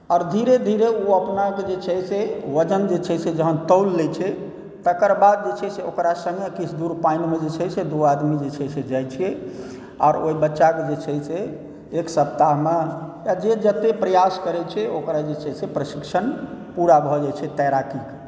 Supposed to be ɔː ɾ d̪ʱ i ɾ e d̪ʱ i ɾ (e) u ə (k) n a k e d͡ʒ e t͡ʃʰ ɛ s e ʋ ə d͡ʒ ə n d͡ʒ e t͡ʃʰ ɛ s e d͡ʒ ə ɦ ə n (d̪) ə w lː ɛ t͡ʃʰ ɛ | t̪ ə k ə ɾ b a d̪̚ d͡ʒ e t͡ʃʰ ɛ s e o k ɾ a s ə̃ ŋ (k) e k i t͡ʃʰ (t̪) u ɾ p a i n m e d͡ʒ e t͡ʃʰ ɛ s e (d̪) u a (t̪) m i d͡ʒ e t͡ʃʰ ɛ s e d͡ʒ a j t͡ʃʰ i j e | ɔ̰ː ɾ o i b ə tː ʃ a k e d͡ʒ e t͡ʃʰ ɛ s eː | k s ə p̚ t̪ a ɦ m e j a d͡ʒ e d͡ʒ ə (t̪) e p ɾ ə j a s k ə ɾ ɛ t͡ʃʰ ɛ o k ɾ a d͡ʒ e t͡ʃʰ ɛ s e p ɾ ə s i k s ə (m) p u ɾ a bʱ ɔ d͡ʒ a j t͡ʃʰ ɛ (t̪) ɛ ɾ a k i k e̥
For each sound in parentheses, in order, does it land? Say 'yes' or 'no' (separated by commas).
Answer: yes, no, no, no, no, yes, no, yes, no, yes